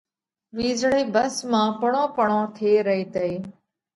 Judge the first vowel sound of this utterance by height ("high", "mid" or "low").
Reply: high